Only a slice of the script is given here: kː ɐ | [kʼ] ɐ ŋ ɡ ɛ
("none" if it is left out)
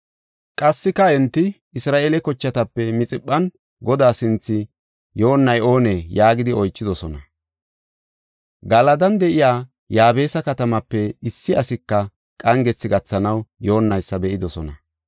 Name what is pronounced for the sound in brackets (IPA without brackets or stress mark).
kʼ